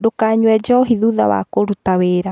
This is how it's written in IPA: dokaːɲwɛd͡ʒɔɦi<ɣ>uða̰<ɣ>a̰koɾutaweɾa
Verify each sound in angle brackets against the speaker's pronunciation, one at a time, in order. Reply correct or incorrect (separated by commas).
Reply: incorrect, incorrect